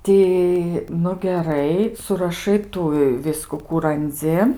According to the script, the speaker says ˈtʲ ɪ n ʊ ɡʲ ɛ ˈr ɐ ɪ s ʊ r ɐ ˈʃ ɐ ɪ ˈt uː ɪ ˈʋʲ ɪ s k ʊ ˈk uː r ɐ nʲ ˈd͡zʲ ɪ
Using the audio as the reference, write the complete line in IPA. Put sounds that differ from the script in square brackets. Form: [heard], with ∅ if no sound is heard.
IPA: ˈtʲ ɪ n ʊ ɡʲ ɛ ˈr ɐ ɪ s ʊ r ɐ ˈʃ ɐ ɪ ˈt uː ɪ ˈʋʲ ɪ s k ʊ ˈk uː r ɐ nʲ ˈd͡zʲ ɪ